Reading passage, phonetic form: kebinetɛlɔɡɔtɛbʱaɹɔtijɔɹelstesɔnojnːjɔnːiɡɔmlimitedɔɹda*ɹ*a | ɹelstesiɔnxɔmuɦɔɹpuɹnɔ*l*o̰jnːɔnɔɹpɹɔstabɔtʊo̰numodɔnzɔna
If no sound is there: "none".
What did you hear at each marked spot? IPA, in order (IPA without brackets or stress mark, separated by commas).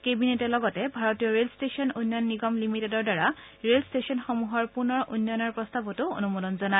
ɹ, ɹ